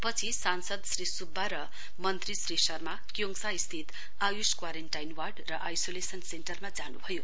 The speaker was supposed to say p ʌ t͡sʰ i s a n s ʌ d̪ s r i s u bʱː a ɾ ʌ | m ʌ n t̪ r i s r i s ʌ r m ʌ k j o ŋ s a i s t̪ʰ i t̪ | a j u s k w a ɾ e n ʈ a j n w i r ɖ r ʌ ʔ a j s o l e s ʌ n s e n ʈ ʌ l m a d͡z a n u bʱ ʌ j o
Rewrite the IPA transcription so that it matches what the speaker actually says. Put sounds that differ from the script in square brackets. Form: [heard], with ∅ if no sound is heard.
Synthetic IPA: p ʌ t͡sʰ i s a n s ʌ d̪ s r i s u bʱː a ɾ ʌ | m ʌ n t̪ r i s r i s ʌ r m [a] k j o ŋ s a i s t̪ʰ i t̪ | a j u s k w a ɾ e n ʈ a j n w [a] r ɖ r ʌ ʔ a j s o l e s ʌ n s e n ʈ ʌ [r] m a d͡z a n u bʱ ʌ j o